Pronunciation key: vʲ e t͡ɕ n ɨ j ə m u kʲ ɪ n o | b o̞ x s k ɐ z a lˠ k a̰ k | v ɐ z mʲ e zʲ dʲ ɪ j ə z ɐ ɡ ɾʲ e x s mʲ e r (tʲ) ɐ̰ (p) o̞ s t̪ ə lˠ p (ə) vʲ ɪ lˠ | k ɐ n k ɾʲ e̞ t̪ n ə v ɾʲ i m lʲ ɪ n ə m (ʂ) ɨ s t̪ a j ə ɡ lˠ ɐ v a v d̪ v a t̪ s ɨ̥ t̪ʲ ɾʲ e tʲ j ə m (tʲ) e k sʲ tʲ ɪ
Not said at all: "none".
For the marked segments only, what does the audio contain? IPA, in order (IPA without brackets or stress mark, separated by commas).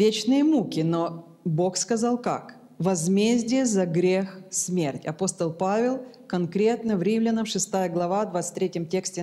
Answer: tʲ, p, a, ʂ, tʲ